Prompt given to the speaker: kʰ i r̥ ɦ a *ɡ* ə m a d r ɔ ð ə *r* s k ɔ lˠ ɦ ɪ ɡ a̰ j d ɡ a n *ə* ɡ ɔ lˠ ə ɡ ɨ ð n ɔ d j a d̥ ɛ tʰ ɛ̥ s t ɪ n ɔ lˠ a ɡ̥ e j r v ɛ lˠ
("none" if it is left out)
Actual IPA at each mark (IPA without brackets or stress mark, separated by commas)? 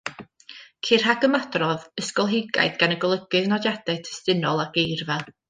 ɡ, none, ə